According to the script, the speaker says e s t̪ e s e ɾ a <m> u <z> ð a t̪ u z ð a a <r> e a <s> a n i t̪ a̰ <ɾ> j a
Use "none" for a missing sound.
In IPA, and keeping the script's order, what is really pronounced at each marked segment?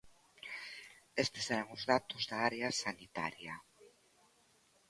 ŋ, z, ɾ, s, ɾ

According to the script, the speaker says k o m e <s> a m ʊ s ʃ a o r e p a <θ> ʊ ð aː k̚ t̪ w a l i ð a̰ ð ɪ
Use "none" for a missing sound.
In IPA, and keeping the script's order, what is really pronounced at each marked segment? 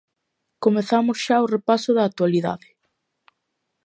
θ, s

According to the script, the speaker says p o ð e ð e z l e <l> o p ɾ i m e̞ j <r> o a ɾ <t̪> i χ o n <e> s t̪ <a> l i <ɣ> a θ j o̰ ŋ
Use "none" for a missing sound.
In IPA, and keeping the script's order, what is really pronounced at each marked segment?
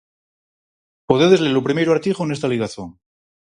l, ɾ, t̪, e, a, ɣ

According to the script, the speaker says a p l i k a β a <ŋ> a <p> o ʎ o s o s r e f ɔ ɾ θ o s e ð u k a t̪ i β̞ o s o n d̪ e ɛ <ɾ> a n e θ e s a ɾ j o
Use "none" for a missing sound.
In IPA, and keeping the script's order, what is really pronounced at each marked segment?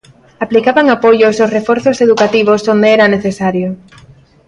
ŋ, p, ɾ

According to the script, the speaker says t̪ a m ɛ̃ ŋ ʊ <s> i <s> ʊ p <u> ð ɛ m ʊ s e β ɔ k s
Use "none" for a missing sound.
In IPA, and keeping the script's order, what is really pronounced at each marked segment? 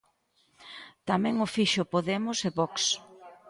f, ʃ, o

